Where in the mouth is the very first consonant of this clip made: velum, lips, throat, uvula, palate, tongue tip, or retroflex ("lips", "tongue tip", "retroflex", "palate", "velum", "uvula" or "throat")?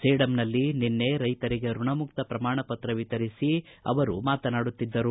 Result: tongue tip